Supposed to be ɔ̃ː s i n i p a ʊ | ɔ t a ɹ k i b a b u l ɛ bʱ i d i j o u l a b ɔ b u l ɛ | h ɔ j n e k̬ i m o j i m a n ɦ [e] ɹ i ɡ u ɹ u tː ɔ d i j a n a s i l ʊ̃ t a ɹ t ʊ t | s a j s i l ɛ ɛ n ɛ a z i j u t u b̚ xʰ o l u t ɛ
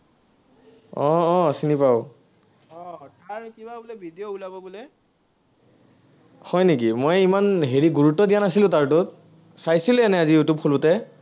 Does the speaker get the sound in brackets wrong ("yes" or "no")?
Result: no